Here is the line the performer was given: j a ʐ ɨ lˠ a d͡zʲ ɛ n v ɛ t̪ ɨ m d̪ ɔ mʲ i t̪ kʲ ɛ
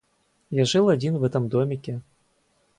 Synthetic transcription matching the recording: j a ʐ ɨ lˠ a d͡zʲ i n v ɛ t̪ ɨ m d̪ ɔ mʲ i kʲ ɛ